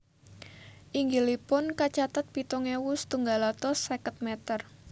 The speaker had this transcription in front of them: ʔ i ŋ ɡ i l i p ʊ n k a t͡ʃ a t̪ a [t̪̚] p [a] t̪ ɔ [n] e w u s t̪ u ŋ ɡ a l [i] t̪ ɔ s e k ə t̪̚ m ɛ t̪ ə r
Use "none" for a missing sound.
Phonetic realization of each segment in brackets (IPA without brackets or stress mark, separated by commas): t̪̚, i, ŋ, a